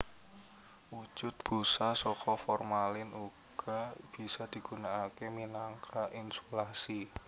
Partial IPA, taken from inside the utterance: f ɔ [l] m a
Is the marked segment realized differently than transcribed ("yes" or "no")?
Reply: yes